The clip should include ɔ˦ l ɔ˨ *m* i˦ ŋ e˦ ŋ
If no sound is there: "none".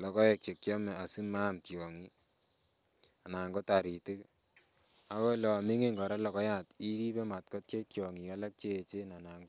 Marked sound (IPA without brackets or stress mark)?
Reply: m